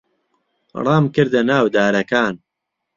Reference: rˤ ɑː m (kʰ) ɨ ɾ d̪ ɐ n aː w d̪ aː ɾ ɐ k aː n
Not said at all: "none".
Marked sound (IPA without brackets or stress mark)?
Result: k